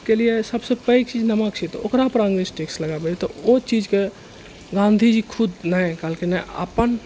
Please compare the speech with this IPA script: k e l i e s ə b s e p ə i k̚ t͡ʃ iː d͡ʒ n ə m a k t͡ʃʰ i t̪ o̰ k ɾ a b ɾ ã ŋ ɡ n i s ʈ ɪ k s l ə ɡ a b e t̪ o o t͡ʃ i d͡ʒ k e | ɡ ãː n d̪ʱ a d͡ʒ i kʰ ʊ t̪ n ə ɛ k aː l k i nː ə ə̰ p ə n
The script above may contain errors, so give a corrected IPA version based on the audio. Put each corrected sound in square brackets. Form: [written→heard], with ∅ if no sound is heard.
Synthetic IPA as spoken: k e l i e s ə b s e p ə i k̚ t͡ʃ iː d͡ʒ n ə m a k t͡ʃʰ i t̪ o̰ k ɾ a [b→p] ɾ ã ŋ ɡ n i s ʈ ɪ k s l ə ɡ a b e t̪ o o t͡ʃ i d͡ʒ k e | ɡ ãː n d̪ʱ [a→i] d͡ʒ i kʰ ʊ [t̪→d̪] n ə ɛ k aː l k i [nː→n] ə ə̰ p ə n